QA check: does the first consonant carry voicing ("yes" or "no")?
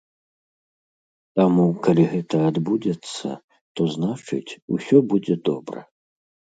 no